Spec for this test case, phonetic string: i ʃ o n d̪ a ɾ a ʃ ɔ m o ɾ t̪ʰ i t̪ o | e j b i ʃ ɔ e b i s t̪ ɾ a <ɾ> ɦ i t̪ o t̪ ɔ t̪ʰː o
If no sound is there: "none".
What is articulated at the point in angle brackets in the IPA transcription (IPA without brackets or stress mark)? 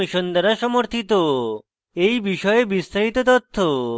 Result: none